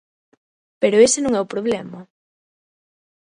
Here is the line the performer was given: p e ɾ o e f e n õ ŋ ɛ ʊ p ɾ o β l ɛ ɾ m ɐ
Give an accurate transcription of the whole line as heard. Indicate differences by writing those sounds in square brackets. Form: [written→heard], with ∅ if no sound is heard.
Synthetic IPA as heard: p e ɾ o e [f→s] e n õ ŋ ɛ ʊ p ɾ o β l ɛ [ɾ→∅] m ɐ